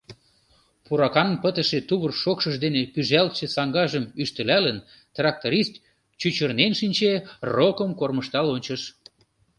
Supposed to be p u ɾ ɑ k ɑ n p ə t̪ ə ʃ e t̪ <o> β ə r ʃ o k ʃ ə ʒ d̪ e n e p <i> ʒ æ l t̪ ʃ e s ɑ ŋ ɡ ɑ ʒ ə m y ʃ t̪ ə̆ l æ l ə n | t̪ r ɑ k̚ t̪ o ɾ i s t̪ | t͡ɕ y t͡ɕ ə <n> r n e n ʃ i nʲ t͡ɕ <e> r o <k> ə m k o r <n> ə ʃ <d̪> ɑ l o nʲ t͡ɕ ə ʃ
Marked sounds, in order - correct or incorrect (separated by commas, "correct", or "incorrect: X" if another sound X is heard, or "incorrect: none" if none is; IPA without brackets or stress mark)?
incorrect: u, incorrect: y, incorrect: none, correct, correct, incorrect: m, incorrect: t̪